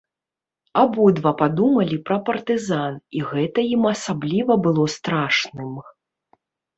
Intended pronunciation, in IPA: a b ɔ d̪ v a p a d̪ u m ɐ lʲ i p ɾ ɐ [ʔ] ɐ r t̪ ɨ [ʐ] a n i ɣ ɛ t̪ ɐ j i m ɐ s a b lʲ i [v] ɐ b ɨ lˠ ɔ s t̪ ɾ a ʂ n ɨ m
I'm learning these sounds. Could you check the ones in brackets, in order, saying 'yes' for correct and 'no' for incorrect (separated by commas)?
no, no, yes